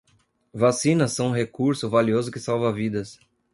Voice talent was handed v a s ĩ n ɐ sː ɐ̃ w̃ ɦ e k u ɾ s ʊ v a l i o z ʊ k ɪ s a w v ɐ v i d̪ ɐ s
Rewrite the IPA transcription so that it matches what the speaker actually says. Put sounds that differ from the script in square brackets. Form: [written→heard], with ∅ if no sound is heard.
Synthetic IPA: v a s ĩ n ɐ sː ɐ̃ w̃ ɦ e k u ɾ s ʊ v a l i o z ʊ k ɪ s a w v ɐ v i d̪ ɐ s